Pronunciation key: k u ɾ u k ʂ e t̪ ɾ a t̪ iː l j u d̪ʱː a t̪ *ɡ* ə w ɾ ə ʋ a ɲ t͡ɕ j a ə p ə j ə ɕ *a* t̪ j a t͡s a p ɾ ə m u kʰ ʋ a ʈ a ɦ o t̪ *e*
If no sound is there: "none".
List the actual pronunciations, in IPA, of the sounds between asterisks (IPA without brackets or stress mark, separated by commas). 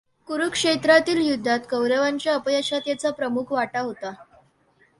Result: k, a, a